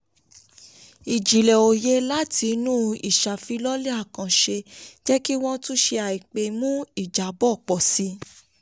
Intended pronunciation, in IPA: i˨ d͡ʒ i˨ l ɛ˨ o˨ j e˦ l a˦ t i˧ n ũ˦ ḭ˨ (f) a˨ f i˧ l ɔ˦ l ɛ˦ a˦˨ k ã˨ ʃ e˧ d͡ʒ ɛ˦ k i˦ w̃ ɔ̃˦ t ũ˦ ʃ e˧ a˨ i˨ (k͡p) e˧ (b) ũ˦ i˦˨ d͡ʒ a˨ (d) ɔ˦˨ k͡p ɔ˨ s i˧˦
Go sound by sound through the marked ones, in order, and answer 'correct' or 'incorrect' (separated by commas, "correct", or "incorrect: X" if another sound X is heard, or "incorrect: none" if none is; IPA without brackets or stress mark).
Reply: incorrect: ʃ, correct, incorrect: m, incorrect: b